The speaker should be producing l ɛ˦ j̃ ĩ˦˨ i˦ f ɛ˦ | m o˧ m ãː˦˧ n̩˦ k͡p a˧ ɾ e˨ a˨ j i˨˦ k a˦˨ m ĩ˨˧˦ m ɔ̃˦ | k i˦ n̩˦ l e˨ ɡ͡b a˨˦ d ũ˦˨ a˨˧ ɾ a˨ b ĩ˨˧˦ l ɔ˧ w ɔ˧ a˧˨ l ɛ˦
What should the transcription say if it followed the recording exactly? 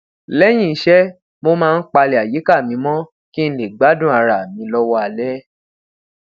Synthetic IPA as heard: l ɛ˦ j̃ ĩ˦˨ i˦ ʃ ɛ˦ | m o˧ m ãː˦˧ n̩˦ k͡p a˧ l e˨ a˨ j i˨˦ k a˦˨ m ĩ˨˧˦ m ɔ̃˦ | k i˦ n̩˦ l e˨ ɡ͡b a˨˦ d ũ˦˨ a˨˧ ɾ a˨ m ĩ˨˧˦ l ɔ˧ w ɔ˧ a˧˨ l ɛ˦